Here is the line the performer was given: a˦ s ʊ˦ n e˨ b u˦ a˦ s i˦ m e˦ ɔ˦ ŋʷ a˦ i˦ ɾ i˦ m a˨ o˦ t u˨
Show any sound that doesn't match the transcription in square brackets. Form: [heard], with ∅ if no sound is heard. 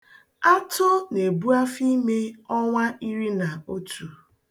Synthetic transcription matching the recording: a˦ [t] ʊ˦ n e˨ b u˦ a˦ [f] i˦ m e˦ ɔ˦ ŋʷ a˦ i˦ ɾ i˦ [n] a˨ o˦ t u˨